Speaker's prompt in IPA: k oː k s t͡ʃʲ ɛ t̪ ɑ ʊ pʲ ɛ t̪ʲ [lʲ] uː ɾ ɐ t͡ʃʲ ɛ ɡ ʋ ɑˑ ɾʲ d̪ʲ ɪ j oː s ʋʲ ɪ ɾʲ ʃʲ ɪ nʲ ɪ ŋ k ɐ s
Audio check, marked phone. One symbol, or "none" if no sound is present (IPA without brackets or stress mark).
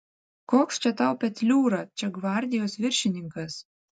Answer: lʲ